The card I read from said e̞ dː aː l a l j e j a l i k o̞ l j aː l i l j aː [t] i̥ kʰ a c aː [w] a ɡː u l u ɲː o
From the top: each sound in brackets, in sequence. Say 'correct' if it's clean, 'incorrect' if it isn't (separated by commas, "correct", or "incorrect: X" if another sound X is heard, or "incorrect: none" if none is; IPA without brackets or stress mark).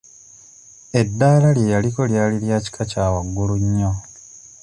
incorrect: c, correct